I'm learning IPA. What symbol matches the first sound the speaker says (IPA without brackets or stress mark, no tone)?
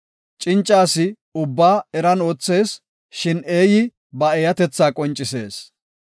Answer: t͡ʃʼ